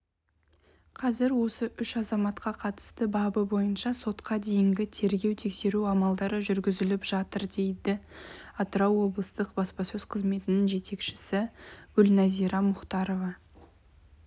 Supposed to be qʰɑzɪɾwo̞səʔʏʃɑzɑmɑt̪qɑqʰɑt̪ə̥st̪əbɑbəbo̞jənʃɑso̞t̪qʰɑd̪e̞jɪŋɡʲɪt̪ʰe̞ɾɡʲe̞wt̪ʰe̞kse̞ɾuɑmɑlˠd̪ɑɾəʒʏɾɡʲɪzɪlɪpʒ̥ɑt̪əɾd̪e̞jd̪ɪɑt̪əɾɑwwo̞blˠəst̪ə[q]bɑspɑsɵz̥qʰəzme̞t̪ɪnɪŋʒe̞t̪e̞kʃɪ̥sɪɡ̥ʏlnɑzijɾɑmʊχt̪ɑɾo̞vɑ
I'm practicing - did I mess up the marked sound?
no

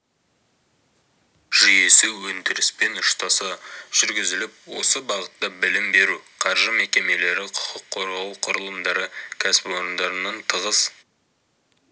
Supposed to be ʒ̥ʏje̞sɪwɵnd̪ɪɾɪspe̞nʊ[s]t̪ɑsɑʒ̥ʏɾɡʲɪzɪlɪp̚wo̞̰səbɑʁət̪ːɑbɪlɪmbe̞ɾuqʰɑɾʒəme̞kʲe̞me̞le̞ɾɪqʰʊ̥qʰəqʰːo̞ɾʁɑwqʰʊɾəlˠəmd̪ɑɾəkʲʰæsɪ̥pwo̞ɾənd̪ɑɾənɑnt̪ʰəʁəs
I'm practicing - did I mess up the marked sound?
yes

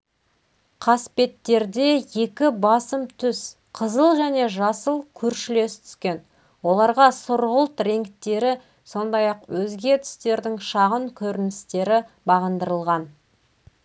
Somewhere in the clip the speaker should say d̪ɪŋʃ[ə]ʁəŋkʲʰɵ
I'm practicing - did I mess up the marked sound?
yes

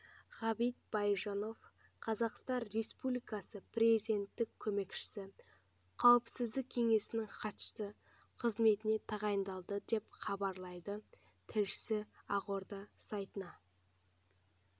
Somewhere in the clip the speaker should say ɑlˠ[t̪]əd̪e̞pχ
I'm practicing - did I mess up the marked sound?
yes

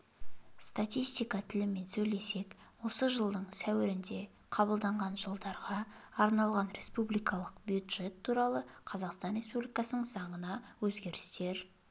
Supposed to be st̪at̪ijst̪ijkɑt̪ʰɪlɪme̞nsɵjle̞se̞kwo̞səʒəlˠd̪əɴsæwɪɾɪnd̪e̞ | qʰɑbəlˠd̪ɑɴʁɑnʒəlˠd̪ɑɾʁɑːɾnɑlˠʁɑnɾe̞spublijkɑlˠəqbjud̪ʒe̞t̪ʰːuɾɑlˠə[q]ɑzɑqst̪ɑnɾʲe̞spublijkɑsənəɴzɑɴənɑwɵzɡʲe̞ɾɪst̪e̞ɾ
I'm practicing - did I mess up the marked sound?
yes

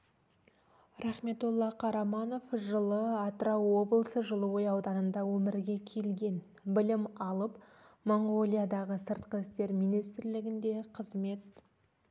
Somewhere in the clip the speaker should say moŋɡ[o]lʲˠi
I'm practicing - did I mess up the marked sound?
no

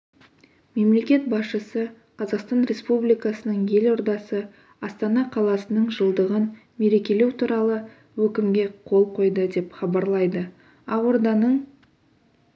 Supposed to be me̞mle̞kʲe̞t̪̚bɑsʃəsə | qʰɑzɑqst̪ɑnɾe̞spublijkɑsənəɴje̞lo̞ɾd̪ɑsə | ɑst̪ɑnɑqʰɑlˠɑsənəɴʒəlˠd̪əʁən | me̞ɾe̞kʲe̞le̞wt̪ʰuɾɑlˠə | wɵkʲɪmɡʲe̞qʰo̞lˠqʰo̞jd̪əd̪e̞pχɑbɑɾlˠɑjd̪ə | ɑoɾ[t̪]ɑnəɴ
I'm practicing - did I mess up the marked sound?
yes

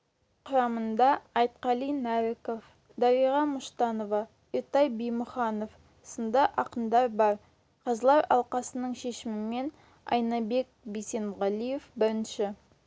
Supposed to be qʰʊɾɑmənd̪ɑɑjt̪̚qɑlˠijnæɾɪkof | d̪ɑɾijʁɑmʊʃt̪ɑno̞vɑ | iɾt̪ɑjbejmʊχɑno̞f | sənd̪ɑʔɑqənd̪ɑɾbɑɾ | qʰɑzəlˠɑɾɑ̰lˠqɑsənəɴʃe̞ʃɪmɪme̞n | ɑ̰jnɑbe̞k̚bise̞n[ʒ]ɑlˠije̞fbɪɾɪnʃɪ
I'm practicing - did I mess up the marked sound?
yes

